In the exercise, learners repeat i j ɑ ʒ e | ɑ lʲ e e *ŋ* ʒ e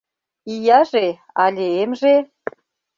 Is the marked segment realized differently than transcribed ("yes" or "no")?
yes